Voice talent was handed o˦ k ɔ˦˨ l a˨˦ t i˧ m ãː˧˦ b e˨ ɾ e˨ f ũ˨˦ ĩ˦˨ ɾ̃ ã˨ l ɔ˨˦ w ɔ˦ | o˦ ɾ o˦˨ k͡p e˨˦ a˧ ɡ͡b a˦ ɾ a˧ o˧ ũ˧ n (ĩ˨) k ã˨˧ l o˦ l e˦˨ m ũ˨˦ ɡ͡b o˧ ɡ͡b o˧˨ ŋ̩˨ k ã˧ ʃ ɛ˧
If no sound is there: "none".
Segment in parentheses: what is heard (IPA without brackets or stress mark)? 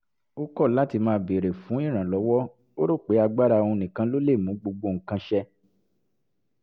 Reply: ĩ˨